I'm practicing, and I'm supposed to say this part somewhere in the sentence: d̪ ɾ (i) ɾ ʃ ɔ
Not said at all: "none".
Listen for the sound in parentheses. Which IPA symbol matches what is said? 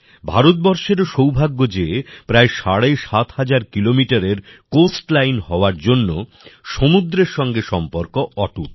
e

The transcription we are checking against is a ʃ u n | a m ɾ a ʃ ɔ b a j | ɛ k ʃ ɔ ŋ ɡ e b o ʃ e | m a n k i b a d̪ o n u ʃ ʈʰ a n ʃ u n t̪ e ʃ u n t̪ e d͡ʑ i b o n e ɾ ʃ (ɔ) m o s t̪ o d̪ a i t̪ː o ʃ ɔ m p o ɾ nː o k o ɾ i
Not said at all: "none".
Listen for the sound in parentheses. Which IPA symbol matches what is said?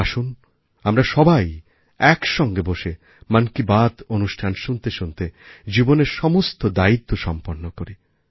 ɔ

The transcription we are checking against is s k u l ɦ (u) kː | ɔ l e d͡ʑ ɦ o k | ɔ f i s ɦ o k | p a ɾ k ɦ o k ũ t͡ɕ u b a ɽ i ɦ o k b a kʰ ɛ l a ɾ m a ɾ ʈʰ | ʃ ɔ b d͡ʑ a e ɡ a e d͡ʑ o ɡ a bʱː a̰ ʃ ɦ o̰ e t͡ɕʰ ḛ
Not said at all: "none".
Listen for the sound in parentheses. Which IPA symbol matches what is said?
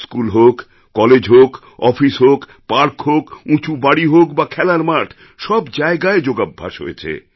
o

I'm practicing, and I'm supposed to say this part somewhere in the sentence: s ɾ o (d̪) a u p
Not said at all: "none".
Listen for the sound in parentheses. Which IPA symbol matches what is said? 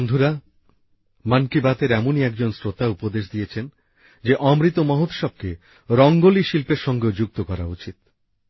t̪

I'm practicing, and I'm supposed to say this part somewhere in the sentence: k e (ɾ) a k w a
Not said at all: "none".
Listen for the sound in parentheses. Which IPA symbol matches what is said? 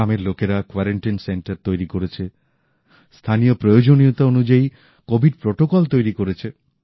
ɾ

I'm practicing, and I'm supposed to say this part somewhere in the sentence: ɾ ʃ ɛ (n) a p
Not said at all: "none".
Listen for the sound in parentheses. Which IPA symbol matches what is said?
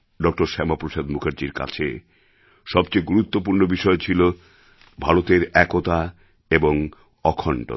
m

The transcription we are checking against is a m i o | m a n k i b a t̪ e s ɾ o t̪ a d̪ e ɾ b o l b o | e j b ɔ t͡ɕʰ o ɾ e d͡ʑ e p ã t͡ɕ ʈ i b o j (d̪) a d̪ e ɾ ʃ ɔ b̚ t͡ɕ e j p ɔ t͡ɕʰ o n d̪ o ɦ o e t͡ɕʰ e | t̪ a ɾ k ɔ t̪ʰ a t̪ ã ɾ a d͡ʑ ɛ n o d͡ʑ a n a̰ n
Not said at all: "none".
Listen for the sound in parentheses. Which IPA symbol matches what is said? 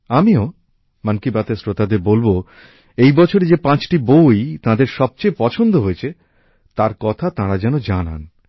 t̪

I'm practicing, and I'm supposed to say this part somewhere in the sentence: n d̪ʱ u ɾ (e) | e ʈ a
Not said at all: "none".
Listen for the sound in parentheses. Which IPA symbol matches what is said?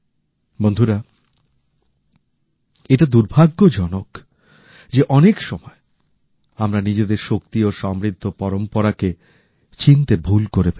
a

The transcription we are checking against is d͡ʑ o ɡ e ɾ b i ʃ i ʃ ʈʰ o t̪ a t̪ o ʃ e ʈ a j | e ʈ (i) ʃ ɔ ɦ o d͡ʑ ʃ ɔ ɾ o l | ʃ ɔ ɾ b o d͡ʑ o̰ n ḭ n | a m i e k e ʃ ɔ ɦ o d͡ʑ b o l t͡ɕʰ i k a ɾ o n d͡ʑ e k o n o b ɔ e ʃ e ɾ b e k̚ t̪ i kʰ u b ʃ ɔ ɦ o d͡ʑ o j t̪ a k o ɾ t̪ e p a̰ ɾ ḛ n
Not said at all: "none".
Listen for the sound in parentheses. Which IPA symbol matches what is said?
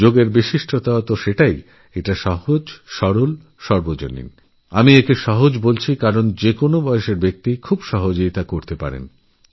a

